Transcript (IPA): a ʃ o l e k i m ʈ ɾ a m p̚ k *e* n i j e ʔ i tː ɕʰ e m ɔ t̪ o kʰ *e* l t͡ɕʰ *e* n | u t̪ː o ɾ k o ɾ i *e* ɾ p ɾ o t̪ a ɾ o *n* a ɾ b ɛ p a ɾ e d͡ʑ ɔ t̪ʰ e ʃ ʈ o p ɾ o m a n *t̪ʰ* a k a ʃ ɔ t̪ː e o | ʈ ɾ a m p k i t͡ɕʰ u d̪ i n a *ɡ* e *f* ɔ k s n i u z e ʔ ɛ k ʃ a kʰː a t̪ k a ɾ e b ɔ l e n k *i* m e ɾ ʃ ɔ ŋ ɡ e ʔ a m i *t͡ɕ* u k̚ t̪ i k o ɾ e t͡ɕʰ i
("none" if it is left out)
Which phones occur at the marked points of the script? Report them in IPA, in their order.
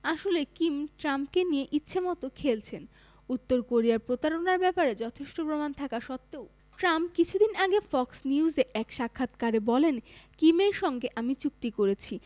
e, e, e, a, n, t̪ʰ, ɡ, f, i, t͡ɕ

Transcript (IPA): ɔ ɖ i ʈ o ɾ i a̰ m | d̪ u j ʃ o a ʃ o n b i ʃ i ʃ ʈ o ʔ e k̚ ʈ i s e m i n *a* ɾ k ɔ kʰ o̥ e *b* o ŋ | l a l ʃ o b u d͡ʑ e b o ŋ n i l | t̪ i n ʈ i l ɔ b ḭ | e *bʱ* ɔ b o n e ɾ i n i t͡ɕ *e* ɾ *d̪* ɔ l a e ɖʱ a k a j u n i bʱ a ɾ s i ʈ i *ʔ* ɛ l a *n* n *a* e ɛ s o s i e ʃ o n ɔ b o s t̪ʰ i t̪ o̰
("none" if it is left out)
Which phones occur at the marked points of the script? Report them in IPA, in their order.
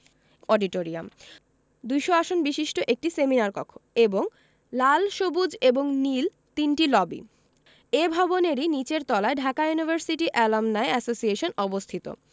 a, b, bʱ, e, t̪, ʔ, m, a

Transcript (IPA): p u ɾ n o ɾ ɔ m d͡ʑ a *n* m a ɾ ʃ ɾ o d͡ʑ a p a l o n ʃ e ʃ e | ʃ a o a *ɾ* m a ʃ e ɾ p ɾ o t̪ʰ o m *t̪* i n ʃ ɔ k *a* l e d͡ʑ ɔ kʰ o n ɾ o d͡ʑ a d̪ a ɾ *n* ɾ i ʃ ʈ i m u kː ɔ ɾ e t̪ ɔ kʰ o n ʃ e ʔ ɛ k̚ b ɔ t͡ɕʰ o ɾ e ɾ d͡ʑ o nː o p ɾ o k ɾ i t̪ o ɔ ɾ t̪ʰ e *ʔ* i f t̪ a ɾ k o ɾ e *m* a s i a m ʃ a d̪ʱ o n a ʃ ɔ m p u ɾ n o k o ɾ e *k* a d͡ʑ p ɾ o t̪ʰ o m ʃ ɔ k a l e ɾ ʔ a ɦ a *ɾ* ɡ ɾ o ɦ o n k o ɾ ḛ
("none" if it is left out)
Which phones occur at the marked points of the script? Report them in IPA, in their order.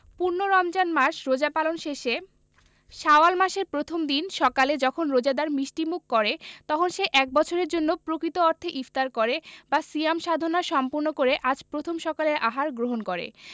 n, l, d̪, a, m, ʔ, b, ʔ, ɾ

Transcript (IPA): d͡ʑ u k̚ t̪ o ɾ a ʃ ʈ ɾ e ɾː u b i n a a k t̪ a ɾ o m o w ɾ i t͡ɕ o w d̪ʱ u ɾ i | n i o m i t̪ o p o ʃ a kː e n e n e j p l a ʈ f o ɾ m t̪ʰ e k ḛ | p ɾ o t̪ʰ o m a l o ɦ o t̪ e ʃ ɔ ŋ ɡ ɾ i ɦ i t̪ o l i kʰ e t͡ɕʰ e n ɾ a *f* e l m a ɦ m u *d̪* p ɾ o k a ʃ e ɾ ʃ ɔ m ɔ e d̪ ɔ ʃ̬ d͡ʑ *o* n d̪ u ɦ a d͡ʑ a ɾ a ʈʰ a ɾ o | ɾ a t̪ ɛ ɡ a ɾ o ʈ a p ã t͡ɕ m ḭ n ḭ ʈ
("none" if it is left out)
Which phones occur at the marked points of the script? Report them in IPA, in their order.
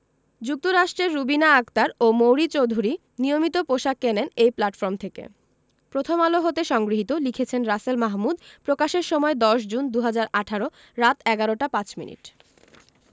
s, d̪, u

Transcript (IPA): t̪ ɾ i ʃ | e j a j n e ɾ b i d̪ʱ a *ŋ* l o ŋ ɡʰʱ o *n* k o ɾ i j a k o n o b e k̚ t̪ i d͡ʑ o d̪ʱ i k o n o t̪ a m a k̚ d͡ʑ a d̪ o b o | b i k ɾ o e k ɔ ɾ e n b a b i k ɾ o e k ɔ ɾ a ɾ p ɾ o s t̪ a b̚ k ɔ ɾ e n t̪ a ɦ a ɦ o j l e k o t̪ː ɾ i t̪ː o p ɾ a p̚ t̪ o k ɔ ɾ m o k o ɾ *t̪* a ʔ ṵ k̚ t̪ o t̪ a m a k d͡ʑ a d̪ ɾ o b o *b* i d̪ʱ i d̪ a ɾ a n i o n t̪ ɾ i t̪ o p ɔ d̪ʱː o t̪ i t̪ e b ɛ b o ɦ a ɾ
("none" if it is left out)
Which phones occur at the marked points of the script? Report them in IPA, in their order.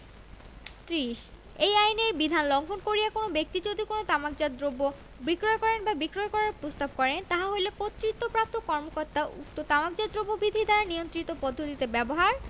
n, n, t̪, b

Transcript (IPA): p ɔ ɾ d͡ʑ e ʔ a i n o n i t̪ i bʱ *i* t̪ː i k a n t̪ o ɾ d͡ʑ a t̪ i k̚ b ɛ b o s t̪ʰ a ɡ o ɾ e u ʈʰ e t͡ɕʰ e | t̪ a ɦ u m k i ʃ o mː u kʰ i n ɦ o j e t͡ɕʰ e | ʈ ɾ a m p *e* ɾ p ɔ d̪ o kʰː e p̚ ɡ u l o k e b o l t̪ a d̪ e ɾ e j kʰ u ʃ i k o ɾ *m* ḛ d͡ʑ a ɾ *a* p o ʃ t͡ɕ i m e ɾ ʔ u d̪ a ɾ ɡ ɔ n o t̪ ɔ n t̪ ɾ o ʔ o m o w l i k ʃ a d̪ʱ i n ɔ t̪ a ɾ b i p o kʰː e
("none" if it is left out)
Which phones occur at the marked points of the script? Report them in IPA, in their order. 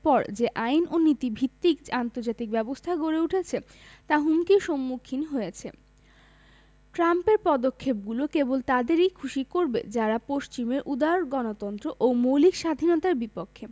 i, e, b, a

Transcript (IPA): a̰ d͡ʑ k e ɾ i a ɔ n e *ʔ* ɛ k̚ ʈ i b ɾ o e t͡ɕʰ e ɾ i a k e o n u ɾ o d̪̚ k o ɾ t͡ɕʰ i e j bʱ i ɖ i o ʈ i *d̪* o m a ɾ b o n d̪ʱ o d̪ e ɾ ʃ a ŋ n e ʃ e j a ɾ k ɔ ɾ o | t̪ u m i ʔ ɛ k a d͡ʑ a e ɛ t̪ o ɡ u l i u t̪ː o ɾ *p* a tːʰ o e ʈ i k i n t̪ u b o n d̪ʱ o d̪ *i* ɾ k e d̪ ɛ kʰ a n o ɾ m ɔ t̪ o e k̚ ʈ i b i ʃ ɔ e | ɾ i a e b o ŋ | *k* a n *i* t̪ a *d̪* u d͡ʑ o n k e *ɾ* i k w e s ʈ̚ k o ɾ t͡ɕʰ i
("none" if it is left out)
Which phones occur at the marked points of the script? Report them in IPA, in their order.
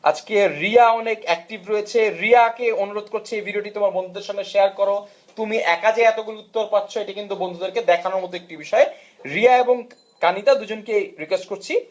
k, t̪, p, e, k, i, d̪, ɾ

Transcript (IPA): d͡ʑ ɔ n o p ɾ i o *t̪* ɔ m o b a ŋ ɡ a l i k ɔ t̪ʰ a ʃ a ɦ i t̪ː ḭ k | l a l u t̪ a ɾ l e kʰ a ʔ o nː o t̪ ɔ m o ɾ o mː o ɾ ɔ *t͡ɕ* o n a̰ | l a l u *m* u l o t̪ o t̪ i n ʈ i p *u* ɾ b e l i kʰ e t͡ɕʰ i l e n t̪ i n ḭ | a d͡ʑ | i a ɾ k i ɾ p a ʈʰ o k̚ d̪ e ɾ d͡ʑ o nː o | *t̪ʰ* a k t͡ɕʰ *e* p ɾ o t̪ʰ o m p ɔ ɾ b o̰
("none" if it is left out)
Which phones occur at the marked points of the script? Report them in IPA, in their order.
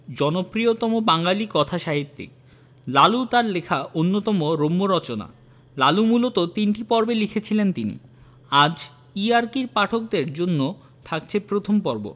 t̪, t͡ɕ, m, ɔ, t̪ʰ, e

